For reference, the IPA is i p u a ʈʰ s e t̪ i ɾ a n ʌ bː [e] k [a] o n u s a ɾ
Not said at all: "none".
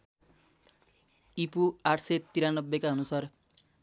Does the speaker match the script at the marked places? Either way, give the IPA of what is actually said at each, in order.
e, a

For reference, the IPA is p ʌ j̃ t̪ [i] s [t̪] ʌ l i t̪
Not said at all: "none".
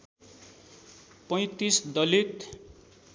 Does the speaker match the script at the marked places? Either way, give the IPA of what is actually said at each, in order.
i, d̪

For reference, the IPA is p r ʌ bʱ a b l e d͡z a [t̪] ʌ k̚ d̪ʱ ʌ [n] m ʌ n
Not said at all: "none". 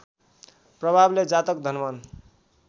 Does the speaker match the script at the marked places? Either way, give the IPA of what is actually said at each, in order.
t̪, n

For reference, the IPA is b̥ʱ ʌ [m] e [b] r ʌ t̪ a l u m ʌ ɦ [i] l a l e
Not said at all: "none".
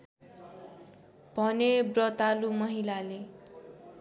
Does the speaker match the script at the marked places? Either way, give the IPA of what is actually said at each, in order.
n, b, i

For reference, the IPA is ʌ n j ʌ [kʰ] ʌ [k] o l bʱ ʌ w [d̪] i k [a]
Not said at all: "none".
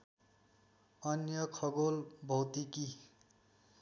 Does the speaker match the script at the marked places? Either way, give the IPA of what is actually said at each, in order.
kʰ, ɡ, t̪, i

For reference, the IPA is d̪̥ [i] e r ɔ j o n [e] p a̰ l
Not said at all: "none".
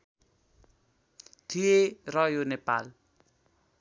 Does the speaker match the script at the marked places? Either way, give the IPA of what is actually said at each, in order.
i, e

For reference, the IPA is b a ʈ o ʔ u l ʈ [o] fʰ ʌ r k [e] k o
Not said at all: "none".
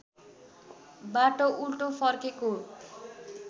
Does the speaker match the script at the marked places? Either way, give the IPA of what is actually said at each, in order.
o, e

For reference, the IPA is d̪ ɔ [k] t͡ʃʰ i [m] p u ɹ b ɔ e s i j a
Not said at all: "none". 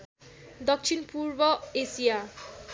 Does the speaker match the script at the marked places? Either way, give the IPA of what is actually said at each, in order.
k, n

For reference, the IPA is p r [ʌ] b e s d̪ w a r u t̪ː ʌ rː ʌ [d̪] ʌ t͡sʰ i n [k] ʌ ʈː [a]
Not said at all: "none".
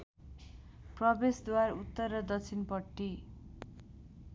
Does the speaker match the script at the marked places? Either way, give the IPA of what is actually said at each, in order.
ʌ, d̪, p, i

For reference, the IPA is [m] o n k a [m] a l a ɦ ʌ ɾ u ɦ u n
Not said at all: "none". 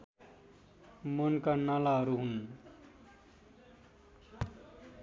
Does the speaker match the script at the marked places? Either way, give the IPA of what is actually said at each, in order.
m, n

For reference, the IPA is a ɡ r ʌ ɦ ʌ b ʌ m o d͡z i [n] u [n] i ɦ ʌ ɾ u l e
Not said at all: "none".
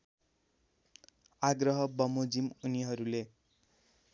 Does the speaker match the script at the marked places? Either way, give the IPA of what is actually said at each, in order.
m, n

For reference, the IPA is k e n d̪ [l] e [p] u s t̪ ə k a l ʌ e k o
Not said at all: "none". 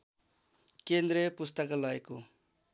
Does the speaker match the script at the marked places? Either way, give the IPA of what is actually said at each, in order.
ɾ, p

